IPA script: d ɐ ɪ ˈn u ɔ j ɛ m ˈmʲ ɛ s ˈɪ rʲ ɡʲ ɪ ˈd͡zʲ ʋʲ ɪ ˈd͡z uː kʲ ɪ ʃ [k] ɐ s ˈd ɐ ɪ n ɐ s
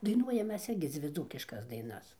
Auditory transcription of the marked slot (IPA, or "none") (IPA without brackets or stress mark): k